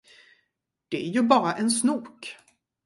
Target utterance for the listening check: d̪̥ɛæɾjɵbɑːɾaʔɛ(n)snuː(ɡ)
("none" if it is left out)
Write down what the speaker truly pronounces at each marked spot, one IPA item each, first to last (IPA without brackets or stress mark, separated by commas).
n, k